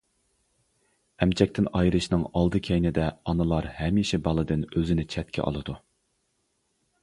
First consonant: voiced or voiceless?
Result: voiced